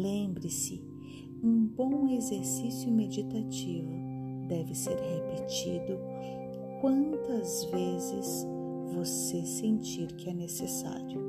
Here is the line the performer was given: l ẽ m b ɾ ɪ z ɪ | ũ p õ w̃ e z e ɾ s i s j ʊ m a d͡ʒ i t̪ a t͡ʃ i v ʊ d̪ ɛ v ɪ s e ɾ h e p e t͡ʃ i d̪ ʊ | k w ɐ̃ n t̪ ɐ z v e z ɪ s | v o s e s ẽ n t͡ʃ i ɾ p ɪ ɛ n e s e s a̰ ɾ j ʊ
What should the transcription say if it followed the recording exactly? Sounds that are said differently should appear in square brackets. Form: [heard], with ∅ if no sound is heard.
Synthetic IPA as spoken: l ẽ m b ɾ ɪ [s] ɪ | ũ [b] õ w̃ e z e ɾ s i s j ʊ m [e] d͡ʒ i t̪ a t͡ʃ i v ʊ d̪ ɛ v ɪ s e ɾ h e p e t͡ʃ i d̪ ʊ | k w ɐ̃ n t̪ ɐ z v e z ɪ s | v o s e s ẽ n t͡ʃ i ɾ [k] ɪ ɛ n e s e s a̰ ɾ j ʊ